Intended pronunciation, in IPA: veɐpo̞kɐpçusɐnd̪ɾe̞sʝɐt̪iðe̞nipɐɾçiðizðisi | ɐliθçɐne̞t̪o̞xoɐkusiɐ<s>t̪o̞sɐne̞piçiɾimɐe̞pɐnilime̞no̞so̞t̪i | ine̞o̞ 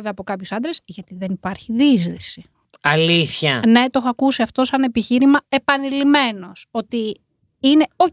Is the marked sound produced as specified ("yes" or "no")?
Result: no